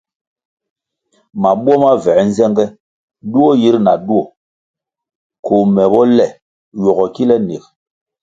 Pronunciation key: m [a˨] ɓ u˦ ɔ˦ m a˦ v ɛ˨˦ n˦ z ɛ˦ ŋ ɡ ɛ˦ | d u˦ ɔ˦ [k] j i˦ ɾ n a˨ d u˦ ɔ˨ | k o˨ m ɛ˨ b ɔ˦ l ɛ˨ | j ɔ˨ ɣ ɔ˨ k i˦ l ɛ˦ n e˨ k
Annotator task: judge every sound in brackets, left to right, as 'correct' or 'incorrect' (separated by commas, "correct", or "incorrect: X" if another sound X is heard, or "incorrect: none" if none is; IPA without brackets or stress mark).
correct, incorrect: none